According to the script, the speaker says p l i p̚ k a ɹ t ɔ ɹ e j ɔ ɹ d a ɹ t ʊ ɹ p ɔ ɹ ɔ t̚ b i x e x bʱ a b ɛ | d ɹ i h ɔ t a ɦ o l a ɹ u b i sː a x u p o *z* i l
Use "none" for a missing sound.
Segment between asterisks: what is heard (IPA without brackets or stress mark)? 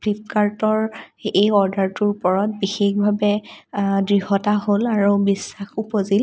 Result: z